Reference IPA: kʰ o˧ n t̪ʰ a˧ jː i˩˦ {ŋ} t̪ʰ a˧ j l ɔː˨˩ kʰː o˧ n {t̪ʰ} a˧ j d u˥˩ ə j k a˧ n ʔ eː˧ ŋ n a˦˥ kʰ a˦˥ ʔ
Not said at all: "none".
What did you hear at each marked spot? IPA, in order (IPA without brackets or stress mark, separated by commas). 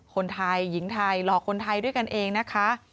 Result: ŋ, t̪ʰ